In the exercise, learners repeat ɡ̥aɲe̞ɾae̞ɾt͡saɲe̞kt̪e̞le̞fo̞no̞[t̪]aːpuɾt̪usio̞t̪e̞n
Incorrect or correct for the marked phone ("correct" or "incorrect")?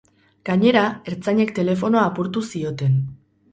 incorrect